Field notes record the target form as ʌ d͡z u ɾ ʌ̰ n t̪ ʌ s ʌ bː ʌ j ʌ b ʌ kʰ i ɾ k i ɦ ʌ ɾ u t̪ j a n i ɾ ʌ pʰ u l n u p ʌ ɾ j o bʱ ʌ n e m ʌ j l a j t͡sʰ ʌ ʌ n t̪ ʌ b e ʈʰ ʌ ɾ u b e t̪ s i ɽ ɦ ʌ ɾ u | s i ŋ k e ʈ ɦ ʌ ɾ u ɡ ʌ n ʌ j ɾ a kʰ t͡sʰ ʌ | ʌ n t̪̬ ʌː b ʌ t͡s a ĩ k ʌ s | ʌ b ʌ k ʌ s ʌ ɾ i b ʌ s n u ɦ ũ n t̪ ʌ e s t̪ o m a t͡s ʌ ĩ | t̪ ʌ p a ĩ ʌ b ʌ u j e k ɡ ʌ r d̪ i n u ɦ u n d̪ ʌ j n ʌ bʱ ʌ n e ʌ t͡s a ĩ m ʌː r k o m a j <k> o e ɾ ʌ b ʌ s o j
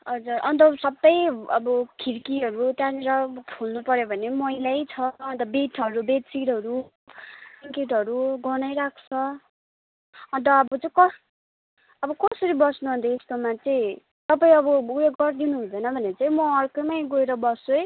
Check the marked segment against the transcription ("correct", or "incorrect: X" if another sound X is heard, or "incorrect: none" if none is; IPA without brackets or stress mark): incorrect: ɡ